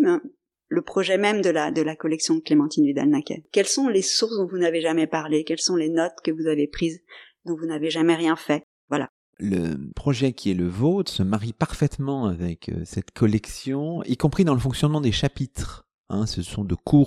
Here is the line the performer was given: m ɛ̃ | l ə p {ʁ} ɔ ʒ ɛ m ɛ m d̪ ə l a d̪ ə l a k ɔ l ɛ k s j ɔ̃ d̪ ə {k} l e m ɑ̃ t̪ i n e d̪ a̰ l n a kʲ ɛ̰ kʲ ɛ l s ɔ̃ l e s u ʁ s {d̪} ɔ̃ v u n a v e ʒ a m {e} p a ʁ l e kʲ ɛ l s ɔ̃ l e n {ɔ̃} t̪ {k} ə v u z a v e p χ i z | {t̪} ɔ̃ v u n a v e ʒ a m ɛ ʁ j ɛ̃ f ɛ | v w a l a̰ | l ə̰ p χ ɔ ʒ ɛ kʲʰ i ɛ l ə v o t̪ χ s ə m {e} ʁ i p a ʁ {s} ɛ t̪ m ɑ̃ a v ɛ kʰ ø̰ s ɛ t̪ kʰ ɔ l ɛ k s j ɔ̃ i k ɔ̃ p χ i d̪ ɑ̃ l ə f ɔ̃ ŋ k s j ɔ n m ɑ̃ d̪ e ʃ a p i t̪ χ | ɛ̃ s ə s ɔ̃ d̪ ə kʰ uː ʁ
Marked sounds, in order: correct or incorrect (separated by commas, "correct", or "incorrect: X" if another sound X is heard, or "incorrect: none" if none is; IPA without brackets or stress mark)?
incorrect: χ, correct, correct, incorrect: ɛ, incorrect: ɔ, correct, incorrect: d̪, incorrect: a, incorrect: f